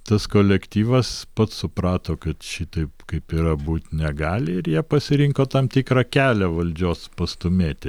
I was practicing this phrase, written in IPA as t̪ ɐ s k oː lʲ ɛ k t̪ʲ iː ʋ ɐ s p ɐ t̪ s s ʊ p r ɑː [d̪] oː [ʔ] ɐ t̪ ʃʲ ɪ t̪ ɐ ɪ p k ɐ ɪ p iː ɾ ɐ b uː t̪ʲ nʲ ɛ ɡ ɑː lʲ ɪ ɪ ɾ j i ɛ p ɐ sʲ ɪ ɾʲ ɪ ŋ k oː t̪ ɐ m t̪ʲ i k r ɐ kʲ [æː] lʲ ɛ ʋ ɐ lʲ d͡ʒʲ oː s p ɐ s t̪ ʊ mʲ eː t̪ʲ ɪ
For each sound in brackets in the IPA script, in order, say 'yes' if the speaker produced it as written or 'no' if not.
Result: no, no, yes

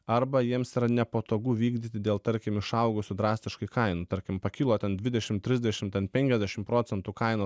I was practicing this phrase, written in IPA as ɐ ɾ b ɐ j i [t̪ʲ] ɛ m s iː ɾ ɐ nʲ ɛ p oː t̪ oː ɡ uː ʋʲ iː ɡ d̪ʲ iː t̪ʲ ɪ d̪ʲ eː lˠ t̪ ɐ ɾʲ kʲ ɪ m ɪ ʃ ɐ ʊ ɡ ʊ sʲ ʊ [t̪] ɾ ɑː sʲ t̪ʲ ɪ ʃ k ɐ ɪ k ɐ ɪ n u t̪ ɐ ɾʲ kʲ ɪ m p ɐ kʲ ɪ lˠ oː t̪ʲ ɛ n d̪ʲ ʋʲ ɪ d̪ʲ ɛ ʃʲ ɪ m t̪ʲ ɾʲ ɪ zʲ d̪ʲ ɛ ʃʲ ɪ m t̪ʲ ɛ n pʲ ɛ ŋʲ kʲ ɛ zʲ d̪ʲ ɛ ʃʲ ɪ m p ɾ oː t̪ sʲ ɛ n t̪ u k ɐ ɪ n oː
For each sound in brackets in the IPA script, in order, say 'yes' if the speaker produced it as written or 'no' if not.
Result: no, no

